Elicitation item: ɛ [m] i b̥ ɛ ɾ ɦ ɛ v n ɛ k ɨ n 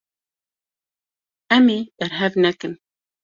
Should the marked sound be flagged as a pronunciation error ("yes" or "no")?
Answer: no